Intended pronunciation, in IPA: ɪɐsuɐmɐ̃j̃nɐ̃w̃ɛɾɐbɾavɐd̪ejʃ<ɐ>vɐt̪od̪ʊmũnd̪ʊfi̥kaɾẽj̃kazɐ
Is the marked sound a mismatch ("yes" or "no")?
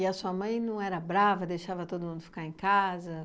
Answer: yes